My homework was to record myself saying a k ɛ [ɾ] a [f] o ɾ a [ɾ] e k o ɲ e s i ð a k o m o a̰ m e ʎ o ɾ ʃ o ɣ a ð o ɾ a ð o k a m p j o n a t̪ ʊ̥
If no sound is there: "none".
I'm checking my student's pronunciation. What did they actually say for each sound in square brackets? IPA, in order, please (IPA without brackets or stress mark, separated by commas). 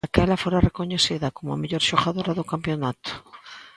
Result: l, f, r